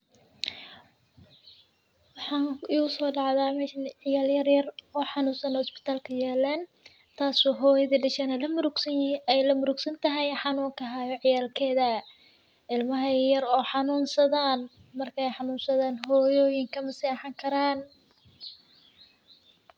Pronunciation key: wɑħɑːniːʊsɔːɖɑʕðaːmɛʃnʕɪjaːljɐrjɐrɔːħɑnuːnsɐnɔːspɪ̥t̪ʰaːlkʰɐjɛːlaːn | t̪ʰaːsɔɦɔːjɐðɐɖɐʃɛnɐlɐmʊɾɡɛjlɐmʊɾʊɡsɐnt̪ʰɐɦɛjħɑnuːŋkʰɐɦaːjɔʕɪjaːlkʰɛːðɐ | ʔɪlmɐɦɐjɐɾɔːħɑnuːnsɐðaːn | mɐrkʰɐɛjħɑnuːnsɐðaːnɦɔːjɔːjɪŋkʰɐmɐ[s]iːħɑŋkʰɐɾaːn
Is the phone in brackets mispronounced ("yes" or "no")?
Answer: no